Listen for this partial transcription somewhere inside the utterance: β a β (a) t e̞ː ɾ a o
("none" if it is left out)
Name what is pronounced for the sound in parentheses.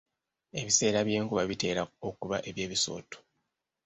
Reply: i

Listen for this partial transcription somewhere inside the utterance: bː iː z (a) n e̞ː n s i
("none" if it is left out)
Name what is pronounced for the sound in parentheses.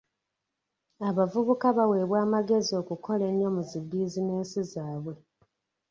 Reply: i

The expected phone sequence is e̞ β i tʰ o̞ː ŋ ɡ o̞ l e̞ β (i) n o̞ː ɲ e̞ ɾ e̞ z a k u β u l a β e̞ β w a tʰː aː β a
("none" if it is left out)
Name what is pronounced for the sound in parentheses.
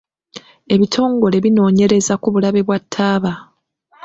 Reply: i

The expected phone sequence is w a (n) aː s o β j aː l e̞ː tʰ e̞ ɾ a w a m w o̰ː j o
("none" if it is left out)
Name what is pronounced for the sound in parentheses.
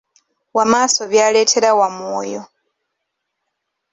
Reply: m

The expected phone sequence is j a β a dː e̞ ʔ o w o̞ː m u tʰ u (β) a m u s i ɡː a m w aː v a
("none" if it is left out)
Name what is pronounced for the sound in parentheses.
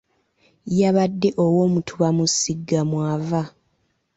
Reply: β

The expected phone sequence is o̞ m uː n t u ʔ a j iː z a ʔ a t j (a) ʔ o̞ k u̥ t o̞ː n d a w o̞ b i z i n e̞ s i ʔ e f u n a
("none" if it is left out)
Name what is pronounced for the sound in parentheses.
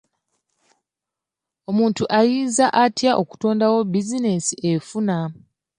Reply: a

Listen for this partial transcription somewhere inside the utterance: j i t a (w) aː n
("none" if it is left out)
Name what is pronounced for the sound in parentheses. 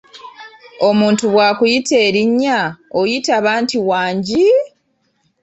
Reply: β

